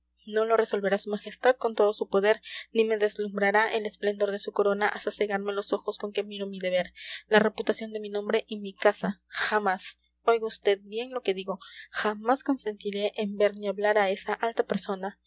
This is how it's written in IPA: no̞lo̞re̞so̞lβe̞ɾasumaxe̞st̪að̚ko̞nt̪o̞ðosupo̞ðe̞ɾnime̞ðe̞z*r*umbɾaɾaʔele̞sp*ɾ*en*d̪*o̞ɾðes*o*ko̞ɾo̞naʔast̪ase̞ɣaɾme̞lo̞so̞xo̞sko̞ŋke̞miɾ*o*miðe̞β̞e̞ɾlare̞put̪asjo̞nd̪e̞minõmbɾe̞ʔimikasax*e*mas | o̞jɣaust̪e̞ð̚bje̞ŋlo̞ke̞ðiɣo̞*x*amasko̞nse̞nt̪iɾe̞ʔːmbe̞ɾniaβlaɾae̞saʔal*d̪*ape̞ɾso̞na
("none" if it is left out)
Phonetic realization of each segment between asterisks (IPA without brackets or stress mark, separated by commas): l, l, d̪, u, o, a, x, t̪